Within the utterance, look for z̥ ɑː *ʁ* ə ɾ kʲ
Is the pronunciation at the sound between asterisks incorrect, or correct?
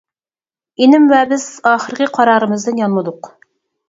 incorrect